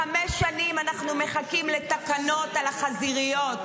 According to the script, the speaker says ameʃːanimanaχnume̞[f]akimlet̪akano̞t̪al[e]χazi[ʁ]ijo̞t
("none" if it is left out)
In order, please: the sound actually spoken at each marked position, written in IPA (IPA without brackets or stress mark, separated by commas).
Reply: χ, a, ʁ